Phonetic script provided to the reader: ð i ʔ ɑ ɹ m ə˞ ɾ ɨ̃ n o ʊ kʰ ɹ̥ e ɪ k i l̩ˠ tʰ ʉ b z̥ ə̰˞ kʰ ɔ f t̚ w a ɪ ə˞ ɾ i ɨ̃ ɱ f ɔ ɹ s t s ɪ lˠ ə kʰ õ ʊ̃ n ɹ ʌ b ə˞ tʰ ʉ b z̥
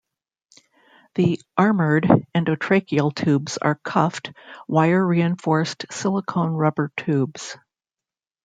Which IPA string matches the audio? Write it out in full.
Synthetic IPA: ð i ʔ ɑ ɹ m ə˞ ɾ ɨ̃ n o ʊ tʰ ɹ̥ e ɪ k i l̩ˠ tʰ ʉ b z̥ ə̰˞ kʰ ʌ f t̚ w a ɪ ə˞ ɹ i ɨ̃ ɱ f ɔ ɹ s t s ɪ lˠ ə kʰ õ ʊ̃ n ɹ ʌ b ə˞ tʰ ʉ b z̥